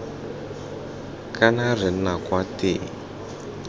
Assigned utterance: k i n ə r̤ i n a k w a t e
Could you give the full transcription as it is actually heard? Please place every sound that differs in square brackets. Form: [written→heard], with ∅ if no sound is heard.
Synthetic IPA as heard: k [i→a] n [ə→a] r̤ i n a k w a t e